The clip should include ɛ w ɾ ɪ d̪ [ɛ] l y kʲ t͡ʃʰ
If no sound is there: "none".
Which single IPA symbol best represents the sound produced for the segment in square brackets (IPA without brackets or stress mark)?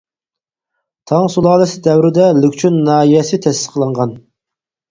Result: ɛ